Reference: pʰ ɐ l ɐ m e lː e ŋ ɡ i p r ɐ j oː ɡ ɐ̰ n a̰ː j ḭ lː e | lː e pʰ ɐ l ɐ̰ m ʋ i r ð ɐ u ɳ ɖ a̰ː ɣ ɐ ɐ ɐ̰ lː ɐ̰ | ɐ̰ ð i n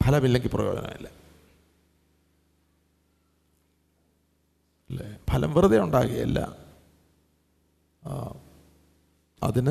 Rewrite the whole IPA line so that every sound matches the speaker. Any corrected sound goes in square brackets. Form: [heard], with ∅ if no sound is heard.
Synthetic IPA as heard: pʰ ɐ l ɐ m [i] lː e ŋ ɡ i p r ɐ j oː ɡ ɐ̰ n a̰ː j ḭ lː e | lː e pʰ ɐ l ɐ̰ m ʋ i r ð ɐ u ɳ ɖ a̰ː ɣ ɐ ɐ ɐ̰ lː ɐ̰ | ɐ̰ ð i n